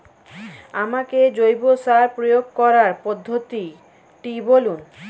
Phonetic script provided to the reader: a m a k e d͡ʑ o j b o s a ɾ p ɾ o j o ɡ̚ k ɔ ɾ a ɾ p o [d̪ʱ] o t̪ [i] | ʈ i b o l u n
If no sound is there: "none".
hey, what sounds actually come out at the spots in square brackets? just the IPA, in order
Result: d̪ʱː, i

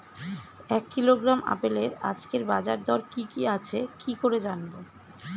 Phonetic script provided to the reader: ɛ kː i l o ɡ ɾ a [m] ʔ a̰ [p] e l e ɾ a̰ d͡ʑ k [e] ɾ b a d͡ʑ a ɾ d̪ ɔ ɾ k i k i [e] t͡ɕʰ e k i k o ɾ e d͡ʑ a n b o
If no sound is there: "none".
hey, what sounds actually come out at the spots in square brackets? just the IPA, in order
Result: m, p, e, a

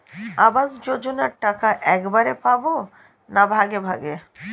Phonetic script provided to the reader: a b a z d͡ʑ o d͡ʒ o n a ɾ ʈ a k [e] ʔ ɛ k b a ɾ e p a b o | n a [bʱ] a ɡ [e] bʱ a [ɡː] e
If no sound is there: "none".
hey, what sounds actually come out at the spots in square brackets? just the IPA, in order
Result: a, bʱ, e, ɡ

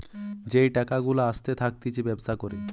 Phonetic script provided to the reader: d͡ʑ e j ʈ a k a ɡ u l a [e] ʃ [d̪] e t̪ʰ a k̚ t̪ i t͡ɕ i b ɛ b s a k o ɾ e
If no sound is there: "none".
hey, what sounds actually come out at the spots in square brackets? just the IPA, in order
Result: a, t̪

